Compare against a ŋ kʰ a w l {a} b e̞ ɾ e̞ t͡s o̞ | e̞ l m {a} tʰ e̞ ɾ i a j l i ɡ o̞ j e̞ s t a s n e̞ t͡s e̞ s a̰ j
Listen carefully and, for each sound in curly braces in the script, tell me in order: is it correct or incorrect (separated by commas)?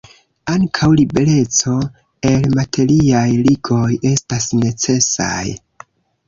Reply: incorrect, correct